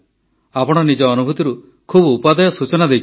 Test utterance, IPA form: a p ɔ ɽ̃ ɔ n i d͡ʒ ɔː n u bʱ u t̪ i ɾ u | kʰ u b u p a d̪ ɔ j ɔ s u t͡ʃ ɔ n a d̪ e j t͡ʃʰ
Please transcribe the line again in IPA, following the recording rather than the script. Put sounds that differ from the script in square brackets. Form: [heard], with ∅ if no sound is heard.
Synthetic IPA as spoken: a p ɔ ɽ̃ ɔ n i d͡ʒ ɔː n u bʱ u t̪ i ɾ u | kʰ u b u p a d̪ ɔ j ɔ s u t͡ʃ ɔ n a d̪ e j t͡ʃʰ